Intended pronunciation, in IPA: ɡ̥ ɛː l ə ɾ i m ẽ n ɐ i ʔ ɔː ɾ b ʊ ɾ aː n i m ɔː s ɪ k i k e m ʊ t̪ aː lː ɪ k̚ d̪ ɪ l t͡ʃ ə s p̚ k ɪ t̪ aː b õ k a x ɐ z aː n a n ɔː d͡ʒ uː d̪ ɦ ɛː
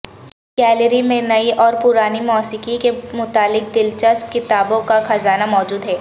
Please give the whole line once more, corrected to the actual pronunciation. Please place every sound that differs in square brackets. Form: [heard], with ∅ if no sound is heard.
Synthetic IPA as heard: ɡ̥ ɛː l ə ɾ i m ẽ n ɐ i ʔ ɔː ɾ [p] ʊ ɾ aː n i m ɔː s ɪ k i k e m ʊ t̪ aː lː ɪ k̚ d̪ ɪ l t͡ʃ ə s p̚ k ɪ t̪ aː b õ k a x ɐ z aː n a [m] ɔː d͡ʒ uː d̪ ɦ ɛː